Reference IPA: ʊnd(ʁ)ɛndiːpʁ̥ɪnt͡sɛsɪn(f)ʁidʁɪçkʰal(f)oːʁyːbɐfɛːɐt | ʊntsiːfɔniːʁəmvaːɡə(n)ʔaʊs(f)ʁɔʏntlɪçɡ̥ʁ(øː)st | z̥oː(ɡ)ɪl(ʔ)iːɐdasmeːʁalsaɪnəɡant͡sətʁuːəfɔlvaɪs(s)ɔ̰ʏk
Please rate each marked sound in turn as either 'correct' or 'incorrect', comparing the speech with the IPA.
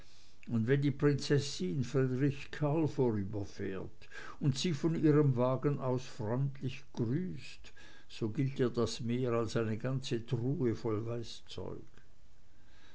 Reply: incorrect: v, correct, correct, correct, correct, incorrect: yː, correct, incorrect: t, incorrect: t͡s

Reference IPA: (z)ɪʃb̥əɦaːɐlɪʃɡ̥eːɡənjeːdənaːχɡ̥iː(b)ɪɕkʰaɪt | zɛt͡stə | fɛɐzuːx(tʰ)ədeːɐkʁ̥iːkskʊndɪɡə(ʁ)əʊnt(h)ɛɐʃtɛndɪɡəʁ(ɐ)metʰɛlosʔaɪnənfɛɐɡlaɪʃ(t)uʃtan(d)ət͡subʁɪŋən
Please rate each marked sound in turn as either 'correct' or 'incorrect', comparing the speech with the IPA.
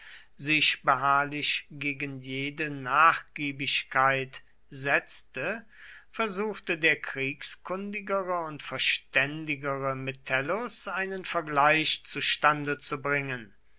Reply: correct, correct, incorrect: t, correct, incorrect: f, incorrect: ə, incorrect: t͡s, correct

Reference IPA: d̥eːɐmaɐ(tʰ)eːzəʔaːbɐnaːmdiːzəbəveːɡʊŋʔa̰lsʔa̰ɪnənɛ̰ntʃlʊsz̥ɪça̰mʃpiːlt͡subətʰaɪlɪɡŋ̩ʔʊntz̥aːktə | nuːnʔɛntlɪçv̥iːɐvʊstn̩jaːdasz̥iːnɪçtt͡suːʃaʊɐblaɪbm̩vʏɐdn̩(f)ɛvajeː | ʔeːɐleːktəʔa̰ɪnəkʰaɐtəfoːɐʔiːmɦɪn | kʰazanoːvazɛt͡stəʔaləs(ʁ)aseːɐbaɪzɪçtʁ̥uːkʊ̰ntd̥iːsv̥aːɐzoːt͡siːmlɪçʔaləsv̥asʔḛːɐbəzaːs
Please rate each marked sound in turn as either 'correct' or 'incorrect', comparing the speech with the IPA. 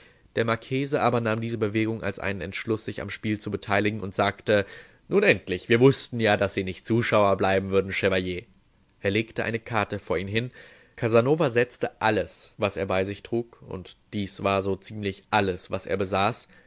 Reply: incorrect: kʰ, incorrect: ʃ, incorrect: v

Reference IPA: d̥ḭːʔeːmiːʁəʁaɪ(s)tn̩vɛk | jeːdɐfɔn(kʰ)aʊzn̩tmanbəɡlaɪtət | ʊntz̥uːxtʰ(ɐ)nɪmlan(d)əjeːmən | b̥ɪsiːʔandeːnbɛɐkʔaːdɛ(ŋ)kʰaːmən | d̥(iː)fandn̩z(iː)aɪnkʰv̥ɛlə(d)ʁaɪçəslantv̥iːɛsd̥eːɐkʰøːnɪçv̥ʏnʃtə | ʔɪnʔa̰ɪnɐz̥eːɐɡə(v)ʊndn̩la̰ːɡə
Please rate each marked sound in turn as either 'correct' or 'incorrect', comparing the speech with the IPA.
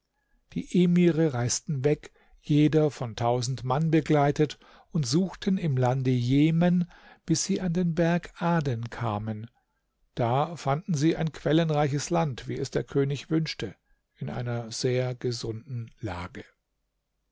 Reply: correct, incorrect: tʰ, incorrect: ə, correct, incorrect: n, incorrect: aː, correct, incorrect: n, incorrect: z

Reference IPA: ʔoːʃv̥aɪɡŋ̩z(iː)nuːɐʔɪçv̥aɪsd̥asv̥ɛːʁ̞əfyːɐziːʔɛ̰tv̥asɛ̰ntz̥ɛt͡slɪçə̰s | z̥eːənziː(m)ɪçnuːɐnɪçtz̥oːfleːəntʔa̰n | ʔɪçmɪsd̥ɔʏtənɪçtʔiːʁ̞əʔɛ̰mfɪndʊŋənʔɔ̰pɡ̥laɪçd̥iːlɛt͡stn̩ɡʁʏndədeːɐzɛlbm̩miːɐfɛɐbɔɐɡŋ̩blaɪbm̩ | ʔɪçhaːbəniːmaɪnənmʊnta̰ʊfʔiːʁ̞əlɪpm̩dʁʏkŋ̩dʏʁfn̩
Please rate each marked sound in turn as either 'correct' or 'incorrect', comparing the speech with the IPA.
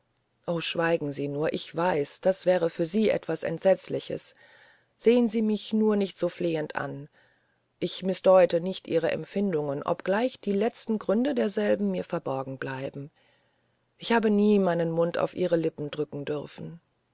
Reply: correct, correct

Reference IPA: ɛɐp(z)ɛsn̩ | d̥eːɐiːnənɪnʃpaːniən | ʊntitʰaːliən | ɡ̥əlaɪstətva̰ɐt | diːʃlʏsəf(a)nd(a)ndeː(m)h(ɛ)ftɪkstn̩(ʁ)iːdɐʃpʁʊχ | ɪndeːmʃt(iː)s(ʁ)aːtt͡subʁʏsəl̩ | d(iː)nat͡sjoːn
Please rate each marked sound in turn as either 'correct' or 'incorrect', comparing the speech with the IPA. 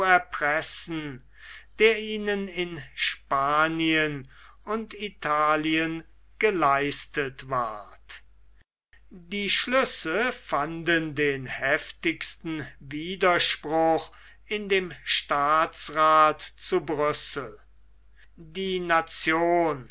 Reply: incorrect: ʁ, correct, incorrect: ə, incorrect: n, correct, incorrect: v, incorrect: aː, correct, correct

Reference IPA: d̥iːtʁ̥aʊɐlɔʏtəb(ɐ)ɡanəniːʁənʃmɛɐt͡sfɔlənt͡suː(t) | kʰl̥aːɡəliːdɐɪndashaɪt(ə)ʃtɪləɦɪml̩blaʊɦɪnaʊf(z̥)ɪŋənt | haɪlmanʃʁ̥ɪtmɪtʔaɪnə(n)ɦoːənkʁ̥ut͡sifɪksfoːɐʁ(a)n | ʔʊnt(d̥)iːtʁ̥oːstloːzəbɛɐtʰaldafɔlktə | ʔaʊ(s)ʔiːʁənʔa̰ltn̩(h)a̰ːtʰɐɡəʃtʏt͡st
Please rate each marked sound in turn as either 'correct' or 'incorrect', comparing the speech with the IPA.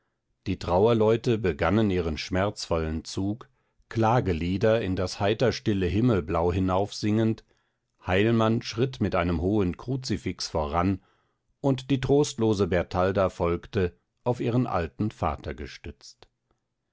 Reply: incorrect: ə, incorrect: k, incorrect: ɐ, correct, incorrect: m, correct, correct, incorrect: f, incorrect: f

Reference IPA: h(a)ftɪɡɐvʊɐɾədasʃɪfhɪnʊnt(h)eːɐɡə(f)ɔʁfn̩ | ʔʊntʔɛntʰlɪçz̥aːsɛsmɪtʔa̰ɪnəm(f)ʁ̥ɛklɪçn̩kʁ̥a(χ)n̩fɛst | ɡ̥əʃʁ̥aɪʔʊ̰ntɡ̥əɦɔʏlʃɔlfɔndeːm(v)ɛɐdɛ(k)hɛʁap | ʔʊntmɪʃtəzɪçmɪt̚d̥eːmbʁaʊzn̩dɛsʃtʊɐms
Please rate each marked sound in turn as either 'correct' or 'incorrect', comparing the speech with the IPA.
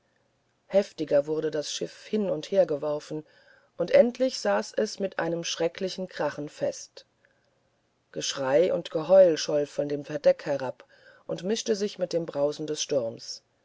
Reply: incorrect: ɛ, correct, incorrect: v, incorrect: ʃ, correct, incorrect: f, correct

